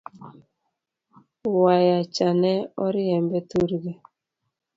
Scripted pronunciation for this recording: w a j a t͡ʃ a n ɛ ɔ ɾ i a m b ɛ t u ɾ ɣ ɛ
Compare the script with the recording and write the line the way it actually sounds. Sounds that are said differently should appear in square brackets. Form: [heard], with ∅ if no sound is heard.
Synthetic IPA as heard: w a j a t͡ʃ a n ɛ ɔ ɾ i [ɛ] m b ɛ t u ɾ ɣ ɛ